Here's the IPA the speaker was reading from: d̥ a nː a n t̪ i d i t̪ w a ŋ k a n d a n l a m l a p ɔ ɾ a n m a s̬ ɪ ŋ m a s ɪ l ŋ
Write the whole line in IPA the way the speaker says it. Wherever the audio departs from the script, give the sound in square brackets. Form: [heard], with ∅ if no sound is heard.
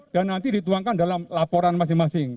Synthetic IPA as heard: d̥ a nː a n t̪ i d i t̪ [u] a ŋ k a n d a [∅] l a m l a p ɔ ɾ a n m a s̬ ɪ ŋ m a s ɪ [∅] ŋ